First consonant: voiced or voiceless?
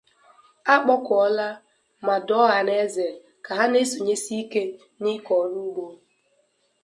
voiceless